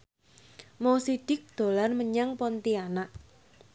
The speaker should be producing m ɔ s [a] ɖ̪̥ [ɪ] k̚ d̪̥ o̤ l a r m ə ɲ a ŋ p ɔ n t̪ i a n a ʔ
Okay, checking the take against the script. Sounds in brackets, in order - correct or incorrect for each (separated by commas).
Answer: incorrect, correct